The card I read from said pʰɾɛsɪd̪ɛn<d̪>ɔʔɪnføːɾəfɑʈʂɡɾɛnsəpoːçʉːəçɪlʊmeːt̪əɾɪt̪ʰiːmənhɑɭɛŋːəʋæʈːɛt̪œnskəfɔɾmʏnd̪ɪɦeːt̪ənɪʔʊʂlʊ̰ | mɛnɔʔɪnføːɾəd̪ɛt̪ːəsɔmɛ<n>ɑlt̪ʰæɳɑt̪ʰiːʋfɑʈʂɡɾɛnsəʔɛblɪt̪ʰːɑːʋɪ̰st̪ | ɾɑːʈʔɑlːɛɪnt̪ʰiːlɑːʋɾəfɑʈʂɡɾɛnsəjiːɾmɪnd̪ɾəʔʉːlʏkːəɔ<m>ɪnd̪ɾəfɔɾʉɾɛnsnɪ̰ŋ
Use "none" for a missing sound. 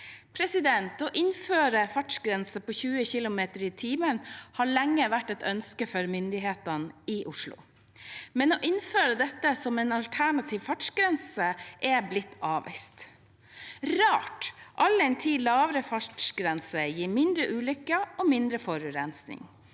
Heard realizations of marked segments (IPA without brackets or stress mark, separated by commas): t̪, n, m